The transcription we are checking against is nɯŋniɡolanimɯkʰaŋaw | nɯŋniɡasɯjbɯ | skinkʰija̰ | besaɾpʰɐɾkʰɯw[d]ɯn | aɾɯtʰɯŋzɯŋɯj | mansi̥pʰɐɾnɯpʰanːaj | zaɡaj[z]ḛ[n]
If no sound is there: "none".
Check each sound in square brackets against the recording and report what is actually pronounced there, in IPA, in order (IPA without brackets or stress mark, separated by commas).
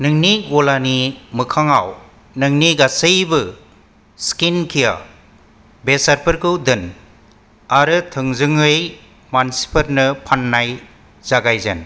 d, z, n